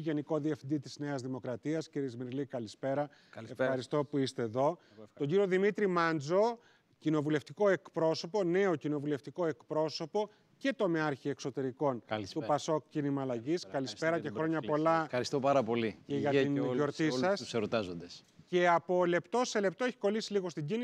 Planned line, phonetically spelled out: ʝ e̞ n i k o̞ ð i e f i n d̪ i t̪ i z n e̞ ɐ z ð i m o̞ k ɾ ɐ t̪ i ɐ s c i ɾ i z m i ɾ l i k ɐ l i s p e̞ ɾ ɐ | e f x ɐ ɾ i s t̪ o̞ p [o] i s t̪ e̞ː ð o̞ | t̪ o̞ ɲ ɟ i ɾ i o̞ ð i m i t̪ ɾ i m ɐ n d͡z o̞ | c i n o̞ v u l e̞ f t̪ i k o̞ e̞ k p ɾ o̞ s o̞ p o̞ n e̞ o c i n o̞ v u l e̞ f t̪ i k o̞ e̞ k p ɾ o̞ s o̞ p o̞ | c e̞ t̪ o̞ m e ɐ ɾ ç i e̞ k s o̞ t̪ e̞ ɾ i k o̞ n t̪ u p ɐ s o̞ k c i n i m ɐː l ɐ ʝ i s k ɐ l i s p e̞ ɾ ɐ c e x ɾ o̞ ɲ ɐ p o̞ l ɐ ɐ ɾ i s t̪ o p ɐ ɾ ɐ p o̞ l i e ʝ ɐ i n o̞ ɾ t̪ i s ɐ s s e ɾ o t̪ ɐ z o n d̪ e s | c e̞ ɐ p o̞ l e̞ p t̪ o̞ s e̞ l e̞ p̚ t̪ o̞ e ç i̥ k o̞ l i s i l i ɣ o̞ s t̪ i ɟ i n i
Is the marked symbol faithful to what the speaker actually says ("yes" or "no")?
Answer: no